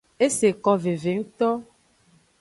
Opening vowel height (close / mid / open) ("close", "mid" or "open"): mid